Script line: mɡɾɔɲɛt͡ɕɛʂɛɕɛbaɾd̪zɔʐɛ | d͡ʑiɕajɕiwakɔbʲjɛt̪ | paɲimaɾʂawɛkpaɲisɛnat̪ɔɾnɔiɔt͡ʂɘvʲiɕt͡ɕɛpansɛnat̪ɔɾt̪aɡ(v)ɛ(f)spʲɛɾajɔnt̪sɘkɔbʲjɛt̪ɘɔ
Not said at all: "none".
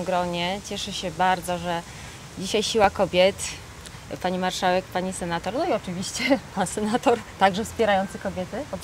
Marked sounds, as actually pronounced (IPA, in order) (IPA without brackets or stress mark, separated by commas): ʐ, f